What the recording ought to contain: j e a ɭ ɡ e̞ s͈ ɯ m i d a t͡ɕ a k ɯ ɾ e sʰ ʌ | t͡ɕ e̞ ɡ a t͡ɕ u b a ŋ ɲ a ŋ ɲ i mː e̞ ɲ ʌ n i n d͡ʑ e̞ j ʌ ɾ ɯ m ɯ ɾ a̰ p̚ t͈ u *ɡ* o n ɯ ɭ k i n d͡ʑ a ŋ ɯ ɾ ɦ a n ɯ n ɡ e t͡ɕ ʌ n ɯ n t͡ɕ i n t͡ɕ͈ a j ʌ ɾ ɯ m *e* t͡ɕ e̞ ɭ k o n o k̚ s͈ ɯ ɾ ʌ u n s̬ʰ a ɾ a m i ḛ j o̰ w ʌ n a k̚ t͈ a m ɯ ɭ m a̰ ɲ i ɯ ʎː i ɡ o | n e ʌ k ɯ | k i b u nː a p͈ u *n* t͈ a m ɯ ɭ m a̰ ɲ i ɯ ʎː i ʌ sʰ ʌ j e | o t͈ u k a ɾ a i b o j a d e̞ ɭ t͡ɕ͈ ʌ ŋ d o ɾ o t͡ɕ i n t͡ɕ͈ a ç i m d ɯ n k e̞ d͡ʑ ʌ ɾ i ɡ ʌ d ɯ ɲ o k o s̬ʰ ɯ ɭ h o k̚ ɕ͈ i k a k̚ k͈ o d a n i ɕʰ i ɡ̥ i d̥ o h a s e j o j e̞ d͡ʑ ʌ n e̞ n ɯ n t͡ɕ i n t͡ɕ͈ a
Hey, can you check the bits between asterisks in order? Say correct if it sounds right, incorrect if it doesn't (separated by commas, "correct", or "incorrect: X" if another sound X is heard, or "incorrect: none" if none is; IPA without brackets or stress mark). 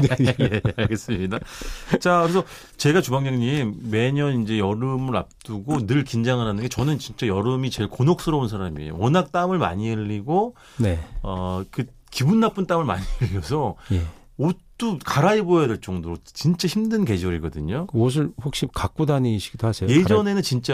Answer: correct, incorrect: i, correct